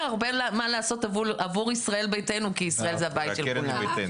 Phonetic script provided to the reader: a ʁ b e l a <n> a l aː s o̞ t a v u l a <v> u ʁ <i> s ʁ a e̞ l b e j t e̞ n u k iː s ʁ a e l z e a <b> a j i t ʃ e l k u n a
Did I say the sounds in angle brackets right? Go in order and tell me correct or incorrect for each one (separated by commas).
incorrect, correct, correct, correct